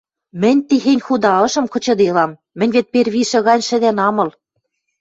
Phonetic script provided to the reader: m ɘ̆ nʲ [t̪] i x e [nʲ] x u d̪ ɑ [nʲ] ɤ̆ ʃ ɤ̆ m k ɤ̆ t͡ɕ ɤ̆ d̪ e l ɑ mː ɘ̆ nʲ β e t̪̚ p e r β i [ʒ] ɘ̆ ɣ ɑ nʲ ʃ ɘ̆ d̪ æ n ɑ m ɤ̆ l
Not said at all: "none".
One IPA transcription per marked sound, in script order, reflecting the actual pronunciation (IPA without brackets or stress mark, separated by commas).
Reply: t̪, nʲ, none, ʃ